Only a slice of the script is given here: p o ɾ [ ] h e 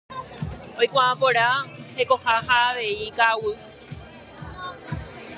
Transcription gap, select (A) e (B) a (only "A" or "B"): B